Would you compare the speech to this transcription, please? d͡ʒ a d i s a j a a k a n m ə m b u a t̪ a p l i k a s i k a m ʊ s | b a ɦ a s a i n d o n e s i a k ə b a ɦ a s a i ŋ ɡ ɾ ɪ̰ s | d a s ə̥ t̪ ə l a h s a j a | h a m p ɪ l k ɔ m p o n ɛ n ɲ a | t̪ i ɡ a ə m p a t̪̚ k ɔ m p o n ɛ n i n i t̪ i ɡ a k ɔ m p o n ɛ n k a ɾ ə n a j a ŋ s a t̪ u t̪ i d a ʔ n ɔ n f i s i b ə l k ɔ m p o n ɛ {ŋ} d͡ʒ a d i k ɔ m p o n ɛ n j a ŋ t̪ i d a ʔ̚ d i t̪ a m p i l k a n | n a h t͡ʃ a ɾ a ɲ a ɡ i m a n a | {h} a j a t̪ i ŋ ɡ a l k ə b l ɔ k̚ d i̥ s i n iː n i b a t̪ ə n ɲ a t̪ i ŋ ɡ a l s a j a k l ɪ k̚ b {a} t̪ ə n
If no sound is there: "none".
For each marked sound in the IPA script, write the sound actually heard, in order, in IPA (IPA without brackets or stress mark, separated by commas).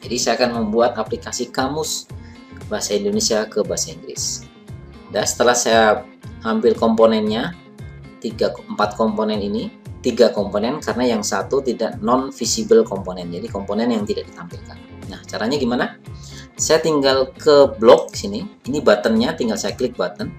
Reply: n, s, a